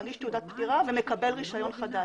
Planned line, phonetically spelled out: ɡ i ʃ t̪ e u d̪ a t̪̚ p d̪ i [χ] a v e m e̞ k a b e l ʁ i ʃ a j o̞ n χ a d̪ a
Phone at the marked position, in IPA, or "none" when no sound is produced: ʁ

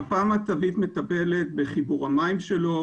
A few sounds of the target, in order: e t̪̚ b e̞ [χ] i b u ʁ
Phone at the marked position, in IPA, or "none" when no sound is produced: χ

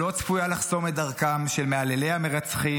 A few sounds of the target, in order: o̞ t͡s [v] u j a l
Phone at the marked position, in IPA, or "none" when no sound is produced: f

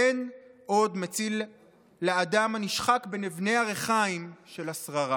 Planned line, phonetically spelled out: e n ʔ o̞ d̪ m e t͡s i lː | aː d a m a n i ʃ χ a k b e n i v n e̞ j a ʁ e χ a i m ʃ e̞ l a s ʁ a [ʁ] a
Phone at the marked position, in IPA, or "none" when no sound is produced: ʁ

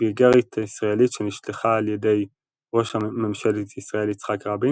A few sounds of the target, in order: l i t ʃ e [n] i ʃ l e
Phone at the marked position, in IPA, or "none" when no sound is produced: n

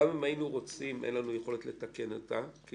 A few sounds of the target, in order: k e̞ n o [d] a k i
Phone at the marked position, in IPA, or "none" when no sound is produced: t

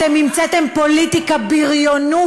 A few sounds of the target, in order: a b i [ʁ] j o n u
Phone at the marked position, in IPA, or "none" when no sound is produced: ʁ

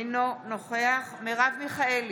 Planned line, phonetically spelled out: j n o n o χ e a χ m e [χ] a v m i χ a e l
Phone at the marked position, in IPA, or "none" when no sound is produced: ʁ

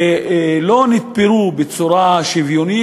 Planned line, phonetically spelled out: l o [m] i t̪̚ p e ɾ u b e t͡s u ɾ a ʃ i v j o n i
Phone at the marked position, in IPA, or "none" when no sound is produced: n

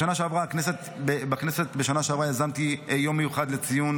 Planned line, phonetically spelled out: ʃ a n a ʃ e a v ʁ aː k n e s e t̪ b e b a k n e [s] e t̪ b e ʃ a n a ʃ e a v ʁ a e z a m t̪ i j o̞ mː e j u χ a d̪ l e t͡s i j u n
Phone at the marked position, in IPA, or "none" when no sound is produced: s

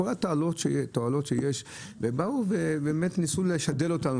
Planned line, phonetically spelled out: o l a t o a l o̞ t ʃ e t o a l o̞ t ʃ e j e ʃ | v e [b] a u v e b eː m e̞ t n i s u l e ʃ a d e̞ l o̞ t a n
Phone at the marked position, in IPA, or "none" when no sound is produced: b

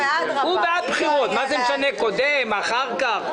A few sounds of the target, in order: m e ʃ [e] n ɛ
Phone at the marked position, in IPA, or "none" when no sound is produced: a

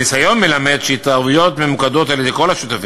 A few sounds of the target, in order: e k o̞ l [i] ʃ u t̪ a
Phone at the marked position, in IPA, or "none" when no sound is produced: a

